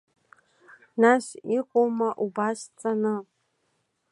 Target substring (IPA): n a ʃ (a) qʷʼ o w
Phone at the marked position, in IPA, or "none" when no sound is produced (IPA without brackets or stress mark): i